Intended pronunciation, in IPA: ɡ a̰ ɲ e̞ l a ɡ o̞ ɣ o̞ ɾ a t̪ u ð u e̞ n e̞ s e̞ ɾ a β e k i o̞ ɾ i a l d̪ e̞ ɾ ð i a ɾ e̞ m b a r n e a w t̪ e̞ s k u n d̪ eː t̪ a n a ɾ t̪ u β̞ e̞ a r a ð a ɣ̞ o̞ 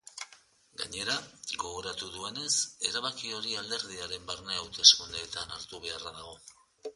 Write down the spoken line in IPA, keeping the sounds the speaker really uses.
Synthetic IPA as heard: ɡ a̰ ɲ e̞ ɾ a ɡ o̞ ɣ o̞ ɾ a t̪ u ð u e̞ n e̞ s e̞ ɾ a β a k i o̞ ɾ i a l d̪ e̞ ɾ ð i a ɾ e̞ m b a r n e a w t̪ e̞ s k u n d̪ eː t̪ a n a ɾ t̪ u β̞ e̞ a r a ð a ɣ̞ o̞